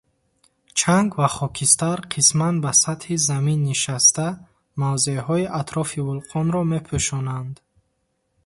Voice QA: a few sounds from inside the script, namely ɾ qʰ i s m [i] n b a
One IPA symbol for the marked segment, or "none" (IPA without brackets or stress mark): a